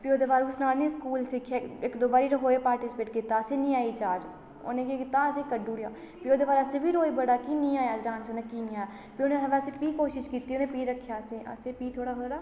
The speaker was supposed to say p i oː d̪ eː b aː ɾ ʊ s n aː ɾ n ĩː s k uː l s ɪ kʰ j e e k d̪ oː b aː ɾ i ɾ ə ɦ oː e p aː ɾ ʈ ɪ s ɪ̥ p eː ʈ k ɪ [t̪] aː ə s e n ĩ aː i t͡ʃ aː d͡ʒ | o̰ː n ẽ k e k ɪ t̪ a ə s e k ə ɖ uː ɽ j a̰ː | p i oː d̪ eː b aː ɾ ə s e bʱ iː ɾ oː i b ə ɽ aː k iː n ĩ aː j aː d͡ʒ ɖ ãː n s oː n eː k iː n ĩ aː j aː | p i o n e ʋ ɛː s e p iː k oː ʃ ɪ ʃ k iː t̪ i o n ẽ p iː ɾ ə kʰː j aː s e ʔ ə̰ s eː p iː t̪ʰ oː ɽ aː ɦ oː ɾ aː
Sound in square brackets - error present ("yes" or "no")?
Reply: no